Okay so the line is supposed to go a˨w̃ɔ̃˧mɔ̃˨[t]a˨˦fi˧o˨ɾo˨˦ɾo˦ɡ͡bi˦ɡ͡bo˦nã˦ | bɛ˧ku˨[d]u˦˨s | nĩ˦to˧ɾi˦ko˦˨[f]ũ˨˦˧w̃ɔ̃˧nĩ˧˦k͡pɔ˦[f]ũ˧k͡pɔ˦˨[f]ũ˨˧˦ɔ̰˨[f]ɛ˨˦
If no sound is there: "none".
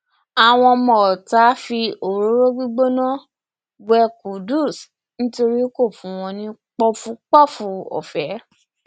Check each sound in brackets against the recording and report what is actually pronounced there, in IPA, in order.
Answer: t, d, f, f, f, f

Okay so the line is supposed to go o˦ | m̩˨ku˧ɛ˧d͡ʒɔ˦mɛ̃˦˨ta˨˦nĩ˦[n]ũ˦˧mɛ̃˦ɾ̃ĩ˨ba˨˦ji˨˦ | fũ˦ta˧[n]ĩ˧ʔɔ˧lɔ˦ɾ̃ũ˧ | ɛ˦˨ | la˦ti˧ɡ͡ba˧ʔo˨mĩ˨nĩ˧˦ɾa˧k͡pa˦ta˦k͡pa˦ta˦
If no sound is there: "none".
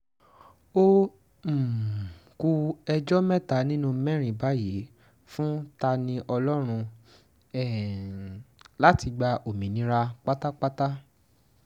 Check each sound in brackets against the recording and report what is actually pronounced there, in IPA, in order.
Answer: n, n

